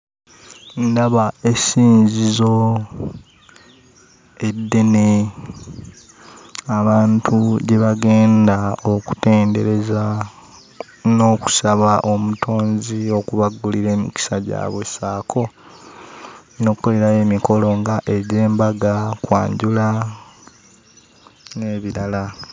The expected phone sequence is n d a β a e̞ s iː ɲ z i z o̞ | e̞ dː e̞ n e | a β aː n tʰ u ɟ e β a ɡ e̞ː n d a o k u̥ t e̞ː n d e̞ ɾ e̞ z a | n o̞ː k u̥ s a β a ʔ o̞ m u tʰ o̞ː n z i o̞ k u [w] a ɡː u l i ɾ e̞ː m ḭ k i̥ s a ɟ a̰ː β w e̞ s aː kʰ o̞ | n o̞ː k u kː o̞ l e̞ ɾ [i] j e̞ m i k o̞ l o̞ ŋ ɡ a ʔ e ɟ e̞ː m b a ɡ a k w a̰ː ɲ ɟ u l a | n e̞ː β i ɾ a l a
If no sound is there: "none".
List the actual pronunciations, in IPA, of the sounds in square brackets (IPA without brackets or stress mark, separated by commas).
β, a